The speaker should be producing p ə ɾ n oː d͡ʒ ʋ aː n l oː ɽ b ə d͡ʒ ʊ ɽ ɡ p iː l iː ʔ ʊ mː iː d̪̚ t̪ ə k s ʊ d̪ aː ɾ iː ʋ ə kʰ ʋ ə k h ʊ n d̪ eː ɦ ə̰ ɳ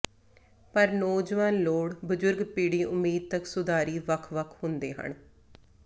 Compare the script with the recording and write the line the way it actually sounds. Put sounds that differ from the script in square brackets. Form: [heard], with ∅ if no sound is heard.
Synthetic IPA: p ə ɾ n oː d͡ʒ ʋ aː n l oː ɽ b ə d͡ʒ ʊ [ɾ] ɡ p iː [ɽ] iː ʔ ʊ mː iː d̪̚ t̪ ə k s ʊ d̪ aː ɾ iː ʋ ə kʰ ʋ ə [kʰ] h ʊ n d̪ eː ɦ ə̰ ɳ